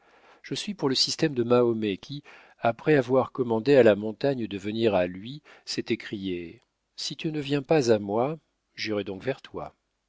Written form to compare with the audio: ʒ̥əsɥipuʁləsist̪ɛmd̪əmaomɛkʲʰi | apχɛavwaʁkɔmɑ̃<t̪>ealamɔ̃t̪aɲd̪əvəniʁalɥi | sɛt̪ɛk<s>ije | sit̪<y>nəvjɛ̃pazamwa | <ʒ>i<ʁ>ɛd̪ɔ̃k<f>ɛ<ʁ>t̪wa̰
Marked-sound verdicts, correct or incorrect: incorrect, incorrect, correct, correct, correct, incorrect, correct

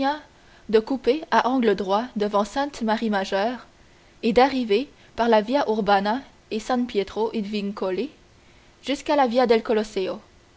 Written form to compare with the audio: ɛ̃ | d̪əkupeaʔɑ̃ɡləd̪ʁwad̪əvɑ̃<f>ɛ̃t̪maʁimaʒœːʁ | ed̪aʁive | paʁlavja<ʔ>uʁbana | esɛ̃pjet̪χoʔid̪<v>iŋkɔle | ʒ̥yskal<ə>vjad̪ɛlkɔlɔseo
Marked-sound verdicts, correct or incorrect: incorrect, correct, correct, incorrect

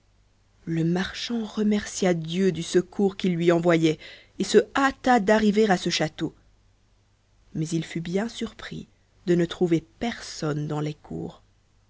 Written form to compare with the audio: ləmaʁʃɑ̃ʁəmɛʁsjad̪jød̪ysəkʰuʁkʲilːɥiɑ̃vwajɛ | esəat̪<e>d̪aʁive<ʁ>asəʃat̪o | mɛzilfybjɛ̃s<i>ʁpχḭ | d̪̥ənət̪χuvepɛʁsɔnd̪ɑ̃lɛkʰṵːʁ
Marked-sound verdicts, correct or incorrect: incorrect, correct, incorrect

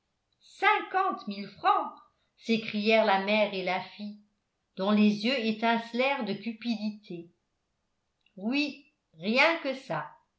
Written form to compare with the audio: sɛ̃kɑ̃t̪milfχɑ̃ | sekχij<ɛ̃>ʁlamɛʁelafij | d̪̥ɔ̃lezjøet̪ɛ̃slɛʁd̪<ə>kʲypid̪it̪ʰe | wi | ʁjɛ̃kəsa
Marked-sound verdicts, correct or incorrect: incorrect, correct

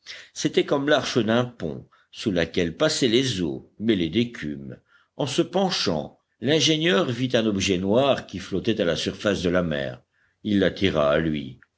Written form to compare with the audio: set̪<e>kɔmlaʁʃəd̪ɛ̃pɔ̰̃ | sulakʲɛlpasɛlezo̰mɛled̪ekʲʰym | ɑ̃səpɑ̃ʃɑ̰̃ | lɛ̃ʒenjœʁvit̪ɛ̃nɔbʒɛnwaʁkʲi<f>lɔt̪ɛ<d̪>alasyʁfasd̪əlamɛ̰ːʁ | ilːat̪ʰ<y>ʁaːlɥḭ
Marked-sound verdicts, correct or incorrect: incorrect, correct, incorrect, incorrect

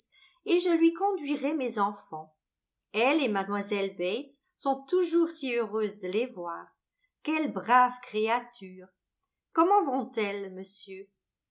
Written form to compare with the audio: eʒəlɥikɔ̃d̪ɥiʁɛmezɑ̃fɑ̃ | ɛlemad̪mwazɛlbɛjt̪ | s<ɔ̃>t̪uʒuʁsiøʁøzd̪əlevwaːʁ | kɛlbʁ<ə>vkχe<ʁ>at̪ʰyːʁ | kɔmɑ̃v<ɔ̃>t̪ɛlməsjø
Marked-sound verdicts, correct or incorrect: correct, incorrect, incorrect, correct

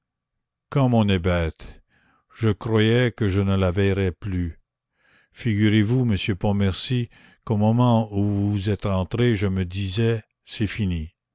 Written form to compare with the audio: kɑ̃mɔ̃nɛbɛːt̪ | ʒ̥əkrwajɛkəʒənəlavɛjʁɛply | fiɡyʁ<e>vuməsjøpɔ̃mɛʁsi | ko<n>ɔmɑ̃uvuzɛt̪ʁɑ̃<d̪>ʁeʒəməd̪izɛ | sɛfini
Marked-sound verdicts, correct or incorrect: correct, incorrect, incorrect

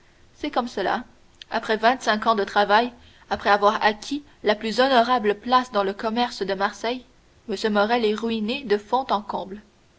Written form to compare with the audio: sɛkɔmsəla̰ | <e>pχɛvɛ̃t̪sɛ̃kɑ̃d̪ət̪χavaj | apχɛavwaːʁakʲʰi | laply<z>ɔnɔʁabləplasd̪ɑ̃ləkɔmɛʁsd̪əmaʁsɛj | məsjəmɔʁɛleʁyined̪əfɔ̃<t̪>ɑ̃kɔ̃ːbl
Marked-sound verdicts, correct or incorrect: incorrect, correct, correct

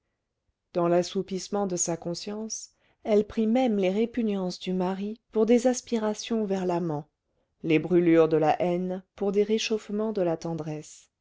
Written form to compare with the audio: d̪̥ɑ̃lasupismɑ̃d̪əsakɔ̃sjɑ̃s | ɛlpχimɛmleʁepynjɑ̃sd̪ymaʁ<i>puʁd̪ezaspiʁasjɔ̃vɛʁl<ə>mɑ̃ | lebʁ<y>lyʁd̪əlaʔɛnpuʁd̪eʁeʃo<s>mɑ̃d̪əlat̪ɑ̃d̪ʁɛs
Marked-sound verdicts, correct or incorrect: correct, incorrect, correct, incorrect

